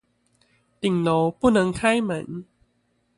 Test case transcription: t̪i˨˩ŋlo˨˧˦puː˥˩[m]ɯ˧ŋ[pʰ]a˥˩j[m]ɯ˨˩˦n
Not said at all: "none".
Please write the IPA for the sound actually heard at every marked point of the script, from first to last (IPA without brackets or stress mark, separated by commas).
n, kʰ, m